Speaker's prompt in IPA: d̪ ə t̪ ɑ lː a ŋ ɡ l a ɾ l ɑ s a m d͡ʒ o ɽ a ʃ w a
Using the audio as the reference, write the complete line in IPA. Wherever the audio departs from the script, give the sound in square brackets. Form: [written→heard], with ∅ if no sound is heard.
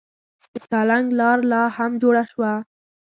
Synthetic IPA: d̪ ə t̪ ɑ [lː→l] a ŋ ɡ l [a→ɑ] ɾ l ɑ [s→h] a m d͡ʒ o ɽ a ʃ w a